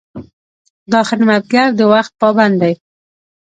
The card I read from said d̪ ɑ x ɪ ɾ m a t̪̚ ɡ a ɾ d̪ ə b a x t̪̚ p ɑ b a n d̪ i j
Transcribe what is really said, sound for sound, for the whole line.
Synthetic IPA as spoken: d̪ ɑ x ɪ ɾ m a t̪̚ ɡ a ɾ d̪ ə w a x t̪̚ p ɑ b a n d̪ a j